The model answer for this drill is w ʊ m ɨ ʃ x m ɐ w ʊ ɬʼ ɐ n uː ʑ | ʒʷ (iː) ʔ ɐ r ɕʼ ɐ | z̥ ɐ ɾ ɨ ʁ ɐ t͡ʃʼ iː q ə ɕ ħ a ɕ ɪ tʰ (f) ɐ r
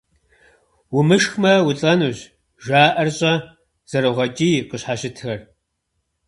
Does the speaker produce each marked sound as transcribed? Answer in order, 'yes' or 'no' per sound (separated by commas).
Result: no, no